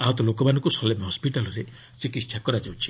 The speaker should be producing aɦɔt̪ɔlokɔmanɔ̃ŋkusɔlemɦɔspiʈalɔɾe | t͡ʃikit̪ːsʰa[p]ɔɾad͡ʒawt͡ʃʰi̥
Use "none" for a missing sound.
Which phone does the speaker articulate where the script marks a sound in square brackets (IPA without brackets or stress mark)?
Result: k